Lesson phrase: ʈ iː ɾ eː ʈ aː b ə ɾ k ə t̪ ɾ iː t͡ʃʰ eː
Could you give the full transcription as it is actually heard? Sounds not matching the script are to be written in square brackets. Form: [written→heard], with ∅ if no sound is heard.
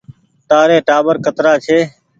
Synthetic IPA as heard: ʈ [iː→aː] ɾ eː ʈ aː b ə ɾ k ə t̪ ɾ [iː→aː] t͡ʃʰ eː